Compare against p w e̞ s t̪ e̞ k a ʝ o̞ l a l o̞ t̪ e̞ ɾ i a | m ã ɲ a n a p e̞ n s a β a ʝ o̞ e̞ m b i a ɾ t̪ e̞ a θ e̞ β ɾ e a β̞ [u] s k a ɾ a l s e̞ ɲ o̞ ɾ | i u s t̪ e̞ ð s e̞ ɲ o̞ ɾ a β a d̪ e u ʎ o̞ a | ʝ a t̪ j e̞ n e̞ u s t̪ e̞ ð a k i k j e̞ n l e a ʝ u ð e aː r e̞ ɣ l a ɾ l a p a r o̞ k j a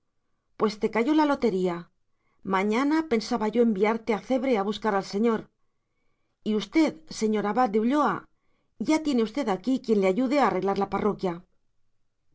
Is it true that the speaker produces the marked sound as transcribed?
yes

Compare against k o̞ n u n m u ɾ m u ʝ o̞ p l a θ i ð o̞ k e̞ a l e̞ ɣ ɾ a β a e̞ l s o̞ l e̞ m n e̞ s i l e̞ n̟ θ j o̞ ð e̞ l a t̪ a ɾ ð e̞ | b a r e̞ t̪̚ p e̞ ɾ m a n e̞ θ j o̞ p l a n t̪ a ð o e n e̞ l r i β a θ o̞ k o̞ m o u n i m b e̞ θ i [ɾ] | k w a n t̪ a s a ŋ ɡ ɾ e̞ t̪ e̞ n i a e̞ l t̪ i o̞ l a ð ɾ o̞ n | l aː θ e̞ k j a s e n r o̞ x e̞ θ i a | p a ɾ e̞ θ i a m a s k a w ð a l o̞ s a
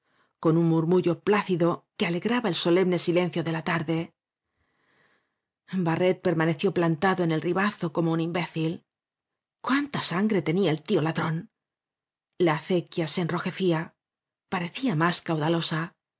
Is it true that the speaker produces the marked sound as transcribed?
no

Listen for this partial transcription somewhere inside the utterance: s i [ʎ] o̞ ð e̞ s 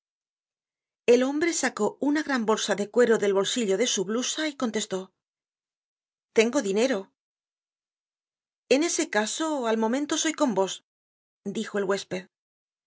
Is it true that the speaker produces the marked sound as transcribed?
yes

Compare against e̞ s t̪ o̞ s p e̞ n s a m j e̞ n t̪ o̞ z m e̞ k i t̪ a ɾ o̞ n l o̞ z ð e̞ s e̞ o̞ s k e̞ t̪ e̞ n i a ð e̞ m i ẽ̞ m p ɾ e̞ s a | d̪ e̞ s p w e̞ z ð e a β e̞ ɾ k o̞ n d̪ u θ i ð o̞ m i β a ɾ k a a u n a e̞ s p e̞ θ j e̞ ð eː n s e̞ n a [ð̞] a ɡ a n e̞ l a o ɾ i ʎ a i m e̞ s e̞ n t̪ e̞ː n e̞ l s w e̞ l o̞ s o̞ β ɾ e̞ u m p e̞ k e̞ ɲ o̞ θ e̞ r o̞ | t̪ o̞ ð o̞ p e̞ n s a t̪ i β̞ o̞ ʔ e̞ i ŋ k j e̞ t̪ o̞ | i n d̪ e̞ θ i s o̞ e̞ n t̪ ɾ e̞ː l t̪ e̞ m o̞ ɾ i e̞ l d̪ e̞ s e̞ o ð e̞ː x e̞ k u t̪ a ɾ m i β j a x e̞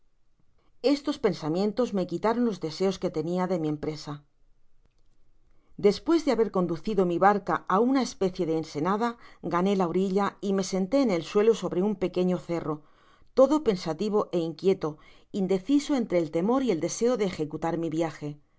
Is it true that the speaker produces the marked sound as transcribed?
yes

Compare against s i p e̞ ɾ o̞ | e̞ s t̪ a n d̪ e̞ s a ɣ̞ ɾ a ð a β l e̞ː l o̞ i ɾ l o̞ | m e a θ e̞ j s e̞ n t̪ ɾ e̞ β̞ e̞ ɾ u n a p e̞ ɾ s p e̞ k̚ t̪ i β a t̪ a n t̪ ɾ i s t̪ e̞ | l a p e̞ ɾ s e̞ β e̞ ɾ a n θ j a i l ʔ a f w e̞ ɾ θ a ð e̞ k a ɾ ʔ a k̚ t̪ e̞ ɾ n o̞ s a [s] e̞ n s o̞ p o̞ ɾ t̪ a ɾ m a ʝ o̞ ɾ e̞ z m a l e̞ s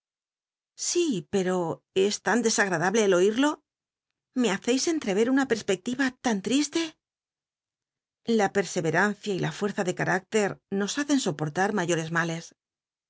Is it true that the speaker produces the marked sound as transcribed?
no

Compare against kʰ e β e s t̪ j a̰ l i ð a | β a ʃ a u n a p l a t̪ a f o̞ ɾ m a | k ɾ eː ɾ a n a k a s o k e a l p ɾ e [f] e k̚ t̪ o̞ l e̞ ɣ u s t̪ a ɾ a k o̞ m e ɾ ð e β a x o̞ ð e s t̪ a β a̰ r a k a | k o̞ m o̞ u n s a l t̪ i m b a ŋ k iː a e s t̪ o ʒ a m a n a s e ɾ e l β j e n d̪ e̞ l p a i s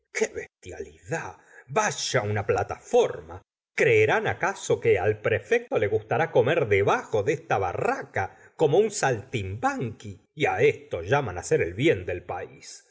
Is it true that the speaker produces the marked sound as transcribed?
yes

